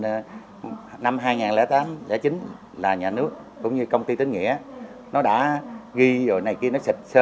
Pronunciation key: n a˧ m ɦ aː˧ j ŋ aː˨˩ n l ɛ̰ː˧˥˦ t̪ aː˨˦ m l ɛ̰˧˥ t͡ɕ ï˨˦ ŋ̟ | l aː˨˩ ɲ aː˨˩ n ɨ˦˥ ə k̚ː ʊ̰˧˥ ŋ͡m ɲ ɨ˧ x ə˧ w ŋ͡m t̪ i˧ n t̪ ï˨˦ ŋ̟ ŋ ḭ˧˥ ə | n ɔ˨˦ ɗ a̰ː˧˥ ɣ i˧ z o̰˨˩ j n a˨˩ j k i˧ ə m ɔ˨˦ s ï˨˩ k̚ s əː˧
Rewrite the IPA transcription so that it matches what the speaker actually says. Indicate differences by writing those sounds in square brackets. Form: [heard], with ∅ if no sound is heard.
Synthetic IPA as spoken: n a˧ m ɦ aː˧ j ŋ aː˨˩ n l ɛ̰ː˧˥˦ t̪ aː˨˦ m l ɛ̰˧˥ t͡ɕ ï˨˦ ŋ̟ | l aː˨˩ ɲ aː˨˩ n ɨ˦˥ ə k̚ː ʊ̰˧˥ ŋ͡m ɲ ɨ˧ [k] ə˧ w ŋ͡m t̪ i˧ [∅] t̪ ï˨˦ ŋ̟ ŋ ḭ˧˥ ə | n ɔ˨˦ ɗ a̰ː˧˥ ɣ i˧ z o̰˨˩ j n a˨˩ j k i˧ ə [n] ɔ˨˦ s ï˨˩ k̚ s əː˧